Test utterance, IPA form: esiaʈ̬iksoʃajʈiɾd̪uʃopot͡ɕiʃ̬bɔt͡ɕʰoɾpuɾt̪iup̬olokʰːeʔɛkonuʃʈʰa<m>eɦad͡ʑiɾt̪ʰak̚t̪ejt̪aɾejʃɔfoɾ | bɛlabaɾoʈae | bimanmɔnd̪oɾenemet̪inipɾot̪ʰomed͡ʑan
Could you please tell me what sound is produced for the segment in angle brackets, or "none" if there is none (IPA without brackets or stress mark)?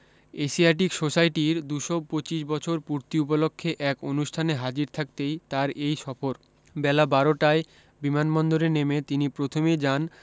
n